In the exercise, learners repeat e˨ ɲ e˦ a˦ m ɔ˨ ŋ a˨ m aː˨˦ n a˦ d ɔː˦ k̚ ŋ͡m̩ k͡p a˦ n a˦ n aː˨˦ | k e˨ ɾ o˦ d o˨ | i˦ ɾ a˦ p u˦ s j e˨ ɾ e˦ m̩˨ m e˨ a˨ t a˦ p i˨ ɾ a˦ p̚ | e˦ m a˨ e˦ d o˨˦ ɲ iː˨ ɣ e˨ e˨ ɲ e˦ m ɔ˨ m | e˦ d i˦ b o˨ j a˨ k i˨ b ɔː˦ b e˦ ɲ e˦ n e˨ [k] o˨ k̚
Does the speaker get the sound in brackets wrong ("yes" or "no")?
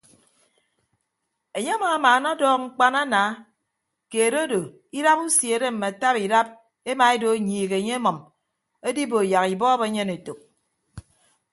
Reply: yes